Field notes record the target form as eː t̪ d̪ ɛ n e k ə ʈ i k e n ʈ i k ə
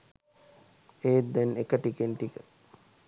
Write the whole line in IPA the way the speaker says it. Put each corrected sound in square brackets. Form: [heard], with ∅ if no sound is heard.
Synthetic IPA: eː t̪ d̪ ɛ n e k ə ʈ i k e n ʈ i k ə